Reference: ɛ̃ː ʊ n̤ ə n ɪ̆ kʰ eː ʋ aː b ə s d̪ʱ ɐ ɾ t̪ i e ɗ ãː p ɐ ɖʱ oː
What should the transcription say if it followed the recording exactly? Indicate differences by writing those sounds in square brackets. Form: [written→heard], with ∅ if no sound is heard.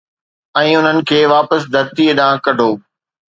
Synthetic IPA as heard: ɛ̃ː ʊ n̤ ə n ɪ̆ kʰ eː ʋ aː [b→p] ə s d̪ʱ ɐ ɾ t̪ i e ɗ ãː [p→k] ɐ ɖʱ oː